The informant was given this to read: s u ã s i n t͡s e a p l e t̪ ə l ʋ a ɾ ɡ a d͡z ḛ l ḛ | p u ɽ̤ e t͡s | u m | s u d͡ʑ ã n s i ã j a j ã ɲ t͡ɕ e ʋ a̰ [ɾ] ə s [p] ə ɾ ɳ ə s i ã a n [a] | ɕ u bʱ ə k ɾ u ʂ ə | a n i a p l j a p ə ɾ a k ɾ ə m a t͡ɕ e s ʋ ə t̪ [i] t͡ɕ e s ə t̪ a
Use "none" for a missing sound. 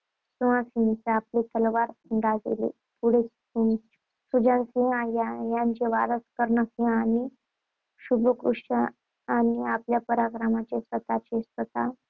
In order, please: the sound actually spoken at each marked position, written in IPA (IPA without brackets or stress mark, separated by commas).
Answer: ɾ, k, i, a